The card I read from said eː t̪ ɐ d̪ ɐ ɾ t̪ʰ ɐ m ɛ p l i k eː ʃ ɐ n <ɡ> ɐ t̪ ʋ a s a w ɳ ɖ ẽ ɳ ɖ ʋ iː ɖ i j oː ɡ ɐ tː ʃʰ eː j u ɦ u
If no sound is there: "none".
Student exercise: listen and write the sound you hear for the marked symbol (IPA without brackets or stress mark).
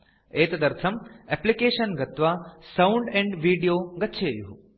ɡ